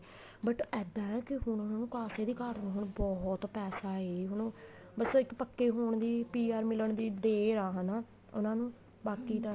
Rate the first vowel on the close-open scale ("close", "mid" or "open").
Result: mid